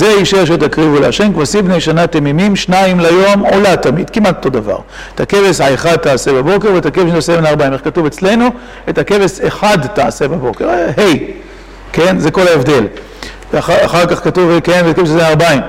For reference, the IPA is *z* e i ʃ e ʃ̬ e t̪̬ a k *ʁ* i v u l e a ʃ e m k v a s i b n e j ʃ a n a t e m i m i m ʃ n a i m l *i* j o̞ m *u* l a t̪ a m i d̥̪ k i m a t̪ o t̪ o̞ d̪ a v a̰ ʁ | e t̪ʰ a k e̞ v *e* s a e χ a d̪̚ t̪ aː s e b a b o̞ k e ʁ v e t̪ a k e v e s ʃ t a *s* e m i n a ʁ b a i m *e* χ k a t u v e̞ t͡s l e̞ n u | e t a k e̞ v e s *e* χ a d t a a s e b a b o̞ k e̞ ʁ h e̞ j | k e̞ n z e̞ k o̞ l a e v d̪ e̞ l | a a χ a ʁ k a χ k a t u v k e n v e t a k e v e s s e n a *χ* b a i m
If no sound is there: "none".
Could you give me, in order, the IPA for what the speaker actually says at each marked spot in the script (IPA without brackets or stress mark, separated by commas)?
z, ʁ, a, o, e, s, e, e, ʁ